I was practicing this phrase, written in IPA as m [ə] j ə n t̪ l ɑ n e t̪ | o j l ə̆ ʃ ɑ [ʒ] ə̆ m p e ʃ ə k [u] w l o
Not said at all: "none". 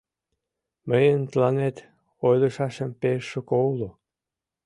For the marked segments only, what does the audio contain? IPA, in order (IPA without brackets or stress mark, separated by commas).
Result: ə, ʃ, o